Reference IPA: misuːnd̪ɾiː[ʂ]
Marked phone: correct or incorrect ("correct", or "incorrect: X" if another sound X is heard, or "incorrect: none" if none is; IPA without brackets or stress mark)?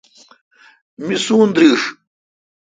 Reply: correct